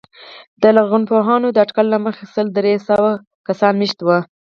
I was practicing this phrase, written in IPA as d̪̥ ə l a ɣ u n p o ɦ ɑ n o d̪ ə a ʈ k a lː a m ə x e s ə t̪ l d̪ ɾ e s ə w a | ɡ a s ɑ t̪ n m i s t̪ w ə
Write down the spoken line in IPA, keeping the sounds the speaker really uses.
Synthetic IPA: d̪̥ ə l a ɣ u n p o ɦ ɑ n o d̪ ə a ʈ k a lː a m ə x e s ə l d̪ ɾ e s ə w a | k a s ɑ n m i ʃ t̪ w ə